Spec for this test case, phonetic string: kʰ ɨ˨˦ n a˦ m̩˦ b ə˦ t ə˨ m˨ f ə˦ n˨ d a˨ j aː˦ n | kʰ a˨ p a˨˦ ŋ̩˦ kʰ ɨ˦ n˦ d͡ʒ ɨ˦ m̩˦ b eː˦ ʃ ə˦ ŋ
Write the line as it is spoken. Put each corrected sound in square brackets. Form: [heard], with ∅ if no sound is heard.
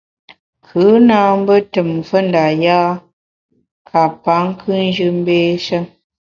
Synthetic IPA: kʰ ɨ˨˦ n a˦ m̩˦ b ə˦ t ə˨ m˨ f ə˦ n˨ d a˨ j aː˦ [∅] | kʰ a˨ p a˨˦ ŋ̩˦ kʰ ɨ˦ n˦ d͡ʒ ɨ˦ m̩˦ b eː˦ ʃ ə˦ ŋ